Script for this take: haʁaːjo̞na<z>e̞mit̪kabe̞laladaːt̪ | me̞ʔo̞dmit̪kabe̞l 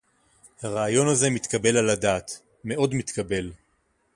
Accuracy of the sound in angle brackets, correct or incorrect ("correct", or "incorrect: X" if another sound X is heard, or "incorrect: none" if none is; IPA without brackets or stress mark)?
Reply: correct